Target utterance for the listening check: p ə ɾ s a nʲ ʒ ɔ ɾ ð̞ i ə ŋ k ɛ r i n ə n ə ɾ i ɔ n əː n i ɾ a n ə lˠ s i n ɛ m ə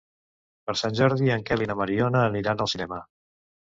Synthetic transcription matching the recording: p ə ɾ s a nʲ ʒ ɔ ɾ ð̞ i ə ŋ k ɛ l i n ə m ə ɾ i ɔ n əː n i ɾ a n ə lˠ s i n ɛ m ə